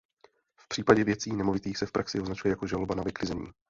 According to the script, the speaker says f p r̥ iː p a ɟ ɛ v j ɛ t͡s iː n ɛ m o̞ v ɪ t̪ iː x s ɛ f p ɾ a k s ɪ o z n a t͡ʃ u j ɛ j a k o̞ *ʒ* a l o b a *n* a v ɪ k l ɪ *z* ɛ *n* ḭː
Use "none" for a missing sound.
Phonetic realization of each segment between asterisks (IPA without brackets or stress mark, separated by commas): ʒ, n, z, ɲ